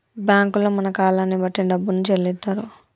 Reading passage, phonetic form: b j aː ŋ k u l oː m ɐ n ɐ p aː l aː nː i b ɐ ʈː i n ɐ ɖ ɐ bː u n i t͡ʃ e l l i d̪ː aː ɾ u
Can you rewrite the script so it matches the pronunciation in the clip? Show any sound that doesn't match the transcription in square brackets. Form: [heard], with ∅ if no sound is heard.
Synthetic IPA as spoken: b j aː ŋ k u l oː m ɐ n ɐ [k] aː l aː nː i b ɐ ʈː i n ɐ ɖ ɐ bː u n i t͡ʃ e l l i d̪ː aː ɾ u